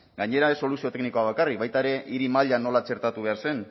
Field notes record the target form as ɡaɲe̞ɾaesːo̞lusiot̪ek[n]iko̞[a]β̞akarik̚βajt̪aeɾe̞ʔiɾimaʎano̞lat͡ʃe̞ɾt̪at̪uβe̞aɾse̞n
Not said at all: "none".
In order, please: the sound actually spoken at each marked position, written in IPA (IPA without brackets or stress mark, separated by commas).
n, a